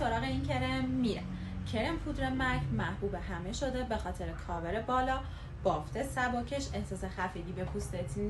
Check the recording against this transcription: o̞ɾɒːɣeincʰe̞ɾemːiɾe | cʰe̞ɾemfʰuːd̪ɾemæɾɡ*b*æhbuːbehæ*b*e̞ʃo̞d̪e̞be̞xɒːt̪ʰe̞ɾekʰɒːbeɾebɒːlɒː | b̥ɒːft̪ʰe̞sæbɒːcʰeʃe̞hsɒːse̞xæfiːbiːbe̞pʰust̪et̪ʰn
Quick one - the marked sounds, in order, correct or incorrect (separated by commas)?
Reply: incorrect, incorrect